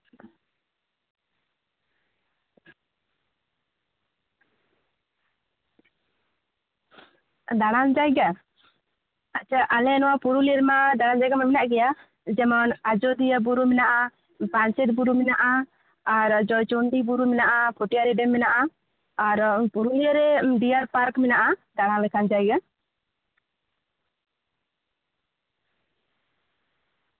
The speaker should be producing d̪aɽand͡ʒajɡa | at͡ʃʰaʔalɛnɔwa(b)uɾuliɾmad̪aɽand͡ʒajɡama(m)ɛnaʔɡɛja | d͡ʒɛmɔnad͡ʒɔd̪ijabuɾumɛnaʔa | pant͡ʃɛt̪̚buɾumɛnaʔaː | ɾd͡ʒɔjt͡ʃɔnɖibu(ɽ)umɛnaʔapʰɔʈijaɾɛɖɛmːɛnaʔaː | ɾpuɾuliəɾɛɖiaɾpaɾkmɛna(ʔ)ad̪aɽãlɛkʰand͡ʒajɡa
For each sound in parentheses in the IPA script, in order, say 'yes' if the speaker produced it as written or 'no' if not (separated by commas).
no, yes, no, yes